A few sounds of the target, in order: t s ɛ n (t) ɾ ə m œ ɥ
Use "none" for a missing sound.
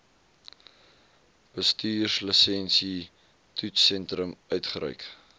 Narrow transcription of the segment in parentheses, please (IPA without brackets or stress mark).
t